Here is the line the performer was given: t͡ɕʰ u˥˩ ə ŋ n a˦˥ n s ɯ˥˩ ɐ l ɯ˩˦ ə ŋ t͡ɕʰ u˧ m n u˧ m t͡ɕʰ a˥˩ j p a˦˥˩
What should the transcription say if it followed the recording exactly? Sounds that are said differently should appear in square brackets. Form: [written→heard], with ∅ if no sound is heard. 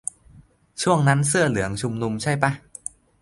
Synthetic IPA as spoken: t͡ɕʰ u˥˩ ə ŋ n a˦˥ n s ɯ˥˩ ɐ l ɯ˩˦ ə ŋ t͡ɕʰ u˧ m n u˧ m t͡ɕʰ a˥˩ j p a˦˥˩